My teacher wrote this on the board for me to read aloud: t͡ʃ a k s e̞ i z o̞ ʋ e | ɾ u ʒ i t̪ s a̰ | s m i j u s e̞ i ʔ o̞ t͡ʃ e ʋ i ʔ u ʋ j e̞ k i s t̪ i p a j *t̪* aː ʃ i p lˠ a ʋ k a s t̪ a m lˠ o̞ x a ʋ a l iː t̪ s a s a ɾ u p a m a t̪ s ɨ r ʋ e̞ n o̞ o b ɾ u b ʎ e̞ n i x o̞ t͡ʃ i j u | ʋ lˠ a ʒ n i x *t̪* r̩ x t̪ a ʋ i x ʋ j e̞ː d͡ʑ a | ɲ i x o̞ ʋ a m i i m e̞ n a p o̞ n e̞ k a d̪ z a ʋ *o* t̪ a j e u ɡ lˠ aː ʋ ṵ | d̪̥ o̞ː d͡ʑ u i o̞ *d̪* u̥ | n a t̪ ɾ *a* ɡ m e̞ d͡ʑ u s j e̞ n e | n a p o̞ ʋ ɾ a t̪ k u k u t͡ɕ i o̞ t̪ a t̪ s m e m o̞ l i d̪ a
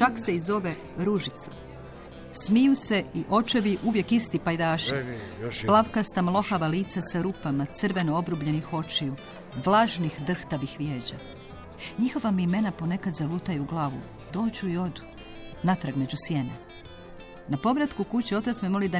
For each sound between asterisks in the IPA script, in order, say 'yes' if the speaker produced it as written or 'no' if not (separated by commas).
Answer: no, no, no, yes, yes